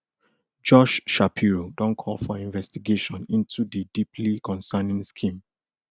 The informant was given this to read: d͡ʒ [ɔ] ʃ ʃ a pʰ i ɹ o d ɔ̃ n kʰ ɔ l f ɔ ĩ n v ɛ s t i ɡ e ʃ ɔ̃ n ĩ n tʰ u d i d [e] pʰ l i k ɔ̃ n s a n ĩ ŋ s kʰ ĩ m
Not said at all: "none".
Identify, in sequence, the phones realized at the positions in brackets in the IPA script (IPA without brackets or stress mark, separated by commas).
ɔ, i